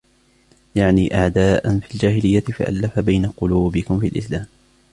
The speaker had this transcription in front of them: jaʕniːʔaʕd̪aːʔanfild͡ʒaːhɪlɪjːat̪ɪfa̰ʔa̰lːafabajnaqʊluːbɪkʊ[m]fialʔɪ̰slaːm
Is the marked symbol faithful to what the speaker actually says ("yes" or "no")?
yes